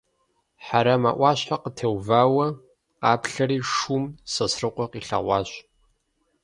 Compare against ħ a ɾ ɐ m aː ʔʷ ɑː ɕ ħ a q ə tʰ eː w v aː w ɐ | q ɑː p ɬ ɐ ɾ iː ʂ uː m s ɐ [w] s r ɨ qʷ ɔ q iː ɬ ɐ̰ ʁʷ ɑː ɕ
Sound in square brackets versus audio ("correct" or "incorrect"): incorrect